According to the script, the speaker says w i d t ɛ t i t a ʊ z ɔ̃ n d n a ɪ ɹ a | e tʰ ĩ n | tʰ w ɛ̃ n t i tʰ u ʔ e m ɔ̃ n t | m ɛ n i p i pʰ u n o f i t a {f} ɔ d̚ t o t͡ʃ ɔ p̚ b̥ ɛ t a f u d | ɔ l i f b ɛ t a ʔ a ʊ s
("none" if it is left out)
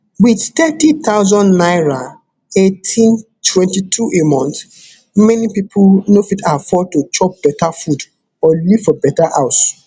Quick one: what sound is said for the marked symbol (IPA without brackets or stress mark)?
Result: f